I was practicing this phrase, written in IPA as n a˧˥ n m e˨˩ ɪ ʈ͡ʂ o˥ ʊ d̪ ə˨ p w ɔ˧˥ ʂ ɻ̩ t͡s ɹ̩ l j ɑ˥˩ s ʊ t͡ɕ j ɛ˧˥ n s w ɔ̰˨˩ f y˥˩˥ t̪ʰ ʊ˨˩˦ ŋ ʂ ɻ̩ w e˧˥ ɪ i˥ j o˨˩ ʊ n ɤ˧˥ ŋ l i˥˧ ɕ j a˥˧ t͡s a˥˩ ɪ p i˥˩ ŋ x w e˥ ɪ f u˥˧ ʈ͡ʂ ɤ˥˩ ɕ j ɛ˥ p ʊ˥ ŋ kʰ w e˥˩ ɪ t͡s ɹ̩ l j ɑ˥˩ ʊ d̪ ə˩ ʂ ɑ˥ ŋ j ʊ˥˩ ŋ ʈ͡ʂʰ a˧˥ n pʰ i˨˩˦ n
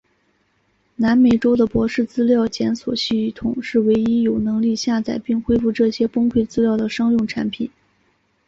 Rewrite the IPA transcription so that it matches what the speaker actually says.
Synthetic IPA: n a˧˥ n m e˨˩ ɪ ʈ͡ʂ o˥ ʊ d̪ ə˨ p w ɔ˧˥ ʂ ɻ̩ t͡s ɹ̩ l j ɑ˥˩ ʊ t͡ɕ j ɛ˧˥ n s w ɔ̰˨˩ ɕ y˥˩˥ t̪ʰ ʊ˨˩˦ ŋ ʂ ɻ̩ w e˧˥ ɪ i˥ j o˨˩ ʊ n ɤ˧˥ ŋ l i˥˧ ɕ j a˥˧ t͡s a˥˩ ɪ p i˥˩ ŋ x w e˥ ɪ f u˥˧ ʈ͡ʂ ɤ˥˩ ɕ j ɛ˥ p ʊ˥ ŋ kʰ w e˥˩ ɪ t͡s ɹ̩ l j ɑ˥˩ ʊ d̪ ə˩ ʂ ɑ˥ ŋ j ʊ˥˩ ŋ ʈ͡ʂʰ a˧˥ n pʰ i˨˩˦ n